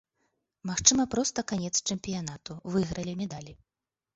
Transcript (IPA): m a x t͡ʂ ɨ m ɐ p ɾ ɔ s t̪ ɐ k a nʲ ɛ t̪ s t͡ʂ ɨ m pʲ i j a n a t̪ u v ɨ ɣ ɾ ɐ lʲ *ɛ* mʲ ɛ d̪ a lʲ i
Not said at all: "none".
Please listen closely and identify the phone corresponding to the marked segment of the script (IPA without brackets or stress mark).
i